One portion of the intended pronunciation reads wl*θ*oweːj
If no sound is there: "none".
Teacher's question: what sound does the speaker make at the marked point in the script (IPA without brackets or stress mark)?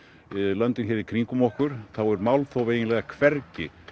θ